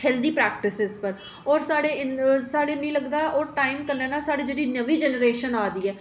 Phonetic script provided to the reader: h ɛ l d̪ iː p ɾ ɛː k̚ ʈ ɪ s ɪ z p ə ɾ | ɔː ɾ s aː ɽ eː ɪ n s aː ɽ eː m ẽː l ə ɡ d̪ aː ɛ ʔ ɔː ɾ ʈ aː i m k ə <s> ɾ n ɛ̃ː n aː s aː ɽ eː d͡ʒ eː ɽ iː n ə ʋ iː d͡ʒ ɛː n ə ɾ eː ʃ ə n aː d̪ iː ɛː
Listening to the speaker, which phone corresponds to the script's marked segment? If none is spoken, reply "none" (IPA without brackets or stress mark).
none